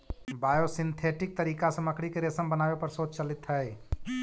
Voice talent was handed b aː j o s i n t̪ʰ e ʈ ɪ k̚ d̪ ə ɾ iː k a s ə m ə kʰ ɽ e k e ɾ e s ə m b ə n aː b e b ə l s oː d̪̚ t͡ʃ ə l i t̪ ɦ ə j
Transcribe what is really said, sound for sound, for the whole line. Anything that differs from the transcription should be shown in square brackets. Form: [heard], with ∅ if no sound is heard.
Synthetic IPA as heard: b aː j o s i n t̪ʰ e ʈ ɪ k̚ [t̪] ə ɾ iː k a s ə m ə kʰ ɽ [i] k e ɾ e s ə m b ə n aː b e [p] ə [ɾ] s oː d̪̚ t͡ʃ ə l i t̪ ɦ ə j